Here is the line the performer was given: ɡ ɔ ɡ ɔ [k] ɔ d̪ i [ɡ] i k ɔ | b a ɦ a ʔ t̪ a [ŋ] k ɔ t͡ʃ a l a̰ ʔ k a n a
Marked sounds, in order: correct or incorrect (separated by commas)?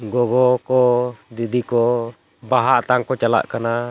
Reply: correct, incorrect, correct